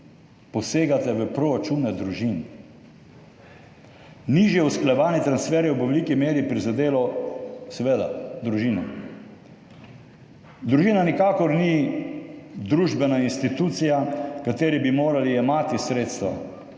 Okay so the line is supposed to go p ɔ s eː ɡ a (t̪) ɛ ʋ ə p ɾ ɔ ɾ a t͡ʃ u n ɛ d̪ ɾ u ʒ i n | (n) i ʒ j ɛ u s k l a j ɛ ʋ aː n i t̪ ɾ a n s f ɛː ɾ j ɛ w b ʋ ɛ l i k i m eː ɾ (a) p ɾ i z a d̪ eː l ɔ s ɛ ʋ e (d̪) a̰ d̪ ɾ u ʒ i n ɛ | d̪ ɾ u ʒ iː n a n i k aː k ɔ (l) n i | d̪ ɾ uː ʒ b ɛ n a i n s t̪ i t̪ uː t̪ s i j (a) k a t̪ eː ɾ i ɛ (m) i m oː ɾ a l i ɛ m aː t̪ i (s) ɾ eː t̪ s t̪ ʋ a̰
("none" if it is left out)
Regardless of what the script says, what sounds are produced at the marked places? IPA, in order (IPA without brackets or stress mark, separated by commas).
t̪, n, i, d̪, ɾ, a, b, s